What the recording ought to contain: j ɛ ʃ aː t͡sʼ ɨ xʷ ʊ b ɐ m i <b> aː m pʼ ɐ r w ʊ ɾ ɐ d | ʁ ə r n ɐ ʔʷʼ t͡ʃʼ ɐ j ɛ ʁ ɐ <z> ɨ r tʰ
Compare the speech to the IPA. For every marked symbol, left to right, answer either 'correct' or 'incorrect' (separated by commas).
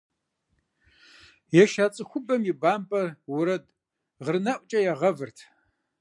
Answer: correct, incorrect